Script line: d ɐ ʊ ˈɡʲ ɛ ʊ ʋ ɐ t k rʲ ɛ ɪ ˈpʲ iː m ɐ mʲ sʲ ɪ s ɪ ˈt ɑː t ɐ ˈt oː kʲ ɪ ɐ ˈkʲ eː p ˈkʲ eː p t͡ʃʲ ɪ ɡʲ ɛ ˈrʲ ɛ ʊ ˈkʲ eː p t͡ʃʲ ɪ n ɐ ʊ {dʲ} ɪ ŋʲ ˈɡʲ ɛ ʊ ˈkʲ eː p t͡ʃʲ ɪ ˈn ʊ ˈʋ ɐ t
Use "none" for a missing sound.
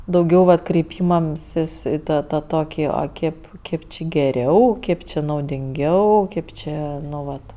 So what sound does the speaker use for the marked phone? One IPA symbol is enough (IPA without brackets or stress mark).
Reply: dʲ